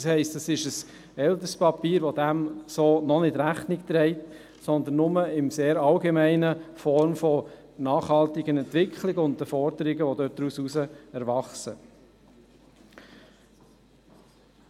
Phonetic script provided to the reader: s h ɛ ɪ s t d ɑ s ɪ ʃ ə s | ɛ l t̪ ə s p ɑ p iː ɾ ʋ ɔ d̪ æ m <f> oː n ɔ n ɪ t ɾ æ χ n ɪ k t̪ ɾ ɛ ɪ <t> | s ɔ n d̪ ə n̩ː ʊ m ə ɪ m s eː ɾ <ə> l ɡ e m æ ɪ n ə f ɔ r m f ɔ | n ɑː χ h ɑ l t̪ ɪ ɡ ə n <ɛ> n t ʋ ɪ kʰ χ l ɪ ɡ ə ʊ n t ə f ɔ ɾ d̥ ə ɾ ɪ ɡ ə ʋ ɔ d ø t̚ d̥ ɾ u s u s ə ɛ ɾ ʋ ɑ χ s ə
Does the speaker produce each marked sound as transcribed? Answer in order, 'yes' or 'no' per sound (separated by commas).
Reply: no, yes, no, yes